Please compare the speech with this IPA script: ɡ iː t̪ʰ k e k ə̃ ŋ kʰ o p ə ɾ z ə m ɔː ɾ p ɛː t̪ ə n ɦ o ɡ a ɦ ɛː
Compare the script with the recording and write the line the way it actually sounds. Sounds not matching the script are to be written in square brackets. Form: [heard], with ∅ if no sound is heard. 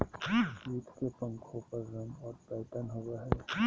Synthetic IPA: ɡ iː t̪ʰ k e [p] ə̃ ŋ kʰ o p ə ɾ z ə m ɔː ɾ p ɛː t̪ ə n ɦ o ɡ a ɦ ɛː